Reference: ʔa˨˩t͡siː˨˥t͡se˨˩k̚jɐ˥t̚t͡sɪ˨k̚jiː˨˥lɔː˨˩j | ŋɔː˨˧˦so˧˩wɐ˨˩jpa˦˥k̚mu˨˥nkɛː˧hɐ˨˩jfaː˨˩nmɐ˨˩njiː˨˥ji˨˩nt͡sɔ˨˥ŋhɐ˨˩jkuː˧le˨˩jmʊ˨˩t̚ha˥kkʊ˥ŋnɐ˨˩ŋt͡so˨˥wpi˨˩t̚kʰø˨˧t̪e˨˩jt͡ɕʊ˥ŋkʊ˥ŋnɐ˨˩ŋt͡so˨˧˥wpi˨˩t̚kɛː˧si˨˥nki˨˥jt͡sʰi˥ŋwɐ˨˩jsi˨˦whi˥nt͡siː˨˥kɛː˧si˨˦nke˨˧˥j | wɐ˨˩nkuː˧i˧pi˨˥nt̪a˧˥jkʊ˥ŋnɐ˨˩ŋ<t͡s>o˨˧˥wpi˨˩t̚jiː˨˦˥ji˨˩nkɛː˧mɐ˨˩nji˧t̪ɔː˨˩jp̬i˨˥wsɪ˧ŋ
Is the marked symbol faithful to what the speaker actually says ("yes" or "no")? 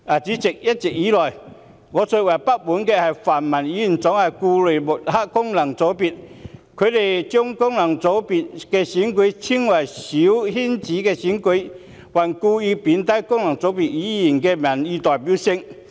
yes